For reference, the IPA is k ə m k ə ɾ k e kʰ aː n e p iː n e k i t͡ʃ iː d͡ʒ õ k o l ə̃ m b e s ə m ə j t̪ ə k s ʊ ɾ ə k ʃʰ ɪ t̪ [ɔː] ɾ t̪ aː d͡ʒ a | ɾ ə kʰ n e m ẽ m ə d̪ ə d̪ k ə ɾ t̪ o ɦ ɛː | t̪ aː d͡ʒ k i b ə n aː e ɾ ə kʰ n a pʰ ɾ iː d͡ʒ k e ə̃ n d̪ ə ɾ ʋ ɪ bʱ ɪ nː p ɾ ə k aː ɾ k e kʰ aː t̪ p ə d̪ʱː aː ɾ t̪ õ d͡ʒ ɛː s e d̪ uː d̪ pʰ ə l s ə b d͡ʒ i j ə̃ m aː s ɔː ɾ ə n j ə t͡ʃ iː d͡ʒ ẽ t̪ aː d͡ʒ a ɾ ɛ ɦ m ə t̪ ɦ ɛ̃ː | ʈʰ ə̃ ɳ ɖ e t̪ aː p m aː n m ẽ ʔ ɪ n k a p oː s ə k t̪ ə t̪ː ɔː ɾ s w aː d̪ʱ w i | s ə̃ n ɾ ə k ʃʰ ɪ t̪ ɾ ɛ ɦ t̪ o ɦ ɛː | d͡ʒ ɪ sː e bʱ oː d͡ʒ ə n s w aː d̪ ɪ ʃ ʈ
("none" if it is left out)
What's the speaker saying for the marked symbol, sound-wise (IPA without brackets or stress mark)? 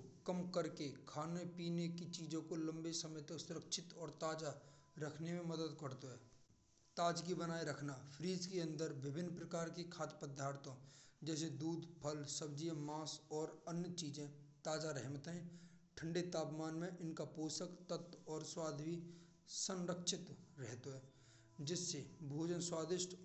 ɔː